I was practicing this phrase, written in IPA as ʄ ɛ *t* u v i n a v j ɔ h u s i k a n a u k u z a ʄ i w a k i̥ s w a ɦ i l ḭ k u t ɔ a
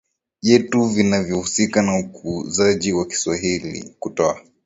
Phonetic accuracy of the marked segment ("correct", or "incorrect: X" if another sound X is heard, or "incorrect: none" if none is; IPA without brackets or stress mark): correct